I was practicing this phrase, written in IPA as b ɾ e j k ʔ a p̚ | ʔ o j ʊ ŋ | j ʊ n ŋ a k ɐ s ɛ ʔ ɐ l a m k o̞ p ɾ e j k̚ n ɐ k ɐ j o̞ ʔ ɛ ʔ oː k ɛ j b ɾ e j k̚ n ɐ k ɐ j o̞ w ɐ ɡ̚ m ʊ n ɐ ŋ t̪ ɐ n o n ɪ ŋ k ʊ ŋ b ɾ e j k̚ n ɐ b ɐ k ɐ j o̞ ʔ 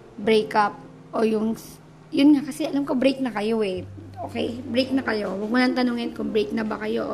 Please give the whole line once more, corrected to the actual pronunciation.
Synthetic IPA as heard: b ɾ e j k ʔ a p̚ | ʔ o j ʊ ŋ | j ʊ n ŋ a k ɐ s ɛ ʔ ɐ l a m k o̞ b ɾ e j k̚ n ɐ k ɐ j o̞ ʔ ɛ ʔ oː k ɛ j b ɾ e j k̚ n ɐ k ɐ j o̞ w ɐ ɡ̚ m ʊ n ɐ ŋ t̪ ɐ n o ŋ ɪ n k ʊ ŋ b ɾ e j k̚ n ɐ b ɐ k ɐ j o̞ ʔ